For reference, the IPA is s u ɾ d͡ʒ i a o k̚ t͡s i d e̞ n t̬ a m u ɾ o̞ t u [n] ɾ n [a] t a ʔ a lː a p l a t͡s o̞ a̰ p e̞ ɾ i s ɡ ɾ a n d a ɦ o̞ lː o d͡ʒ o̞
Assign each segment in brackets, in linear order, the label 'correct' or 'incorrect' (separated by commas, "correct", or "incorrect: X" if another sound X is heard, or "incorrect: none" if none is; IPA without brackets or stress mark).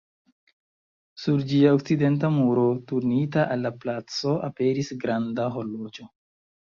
incorrect: none, incorrect: i